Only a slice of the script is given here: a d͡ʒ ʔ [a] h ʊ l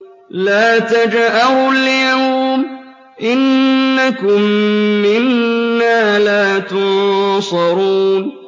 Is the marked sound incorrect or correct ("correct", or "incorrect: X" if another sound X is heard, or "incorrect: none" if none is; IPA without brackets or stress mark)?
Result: correct